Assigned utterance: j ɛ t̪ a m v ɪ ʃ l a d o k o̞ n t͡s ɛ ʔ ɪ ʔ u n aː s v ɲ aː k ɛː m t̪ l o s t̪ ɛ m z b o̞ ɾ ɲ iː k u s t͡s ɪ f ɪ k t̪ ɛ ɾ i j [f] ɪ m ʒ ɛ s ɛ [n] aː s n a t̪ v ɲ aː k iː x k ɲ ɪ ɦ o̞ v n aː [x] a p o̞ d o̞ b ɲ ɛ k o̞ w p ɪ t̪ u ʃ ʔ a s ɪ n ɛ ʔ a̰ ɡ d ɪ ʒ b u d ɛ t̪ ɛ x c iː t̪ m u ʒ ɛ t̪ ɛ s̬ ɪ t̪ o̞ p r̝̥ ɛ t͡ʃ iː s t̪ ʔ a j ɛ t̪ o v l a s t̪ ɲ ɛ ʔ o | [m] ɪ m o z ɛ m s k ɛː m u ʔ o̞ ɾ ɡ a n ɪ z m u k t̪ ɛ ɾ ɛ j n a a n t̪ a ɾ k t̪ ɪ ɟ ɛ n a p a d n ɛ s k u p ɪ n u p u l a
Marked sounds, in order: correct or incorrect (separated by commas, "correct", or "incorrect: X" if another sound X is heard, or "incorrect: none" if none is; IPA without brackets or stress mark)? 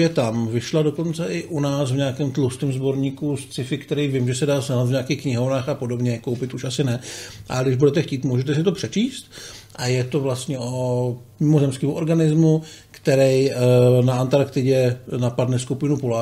incorrect: v, incorrect: d, correct, correct